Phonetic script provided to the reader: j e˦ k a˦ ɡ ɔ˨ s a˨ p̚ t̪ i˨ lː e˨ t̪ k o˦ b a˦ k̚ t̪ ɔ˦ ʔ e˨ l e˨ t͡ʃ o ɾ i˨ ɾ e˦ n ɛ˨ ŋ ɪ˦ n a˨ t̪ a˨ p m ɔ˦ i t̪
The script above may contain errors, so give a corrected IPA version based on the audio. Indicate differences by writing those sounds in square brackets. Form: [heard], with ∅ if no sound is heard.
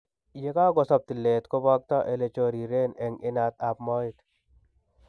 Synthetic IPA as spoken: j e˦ k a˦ ɡ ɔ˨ s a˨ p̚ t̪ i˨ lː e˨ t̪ k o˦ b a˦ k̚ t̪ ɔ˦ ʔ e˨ l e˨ t͡ʃ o ɾ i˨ ɾ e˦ n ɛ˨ ŋ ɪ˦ n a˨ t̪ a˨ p m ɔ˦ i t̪